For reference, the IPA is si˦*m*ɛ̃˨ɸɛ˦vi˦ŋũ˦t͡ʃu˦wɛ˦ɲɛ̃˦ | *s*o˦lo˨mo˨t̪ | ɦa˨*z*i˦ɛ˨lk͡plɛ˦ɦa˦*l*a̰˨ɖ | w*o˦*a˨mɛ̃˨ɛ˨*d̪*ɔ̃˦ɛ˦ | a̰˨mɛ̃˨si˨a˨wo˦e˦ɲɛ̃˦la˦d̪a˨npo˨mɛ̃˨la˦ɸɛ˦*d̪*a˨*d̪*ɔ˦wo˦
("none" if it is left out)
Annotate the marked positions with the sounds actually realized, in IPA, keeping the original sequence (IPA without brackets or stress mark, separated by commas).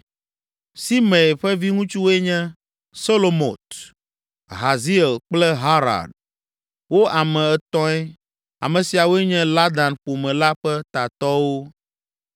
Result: m, s, z, ɾ, o˦, t̪, t̪, t̪